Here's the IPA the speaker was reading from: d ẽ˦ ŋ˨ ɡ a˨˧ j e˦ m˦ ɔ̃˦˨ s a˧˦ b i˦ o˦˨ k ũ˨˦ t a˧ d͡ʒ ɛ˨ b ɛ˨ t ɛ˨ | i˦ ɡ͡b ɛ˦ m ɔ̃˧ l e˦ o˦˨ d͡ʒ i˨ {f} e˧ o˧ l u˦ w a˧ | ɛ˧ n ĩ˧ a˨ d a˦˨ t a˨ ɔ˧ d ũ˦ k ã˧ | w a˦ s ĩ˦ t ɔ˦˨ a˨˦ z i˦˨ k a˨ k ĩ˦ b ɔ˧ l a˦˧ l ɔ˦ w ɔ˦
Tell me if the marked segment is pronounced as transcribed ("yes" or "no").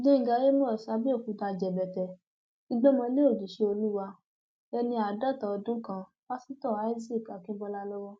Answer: no